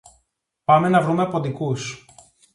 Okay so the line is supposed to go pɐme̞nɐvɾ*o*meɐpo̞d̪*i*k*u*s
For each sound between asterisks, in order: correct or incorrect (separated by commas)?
incorrect, correct, correct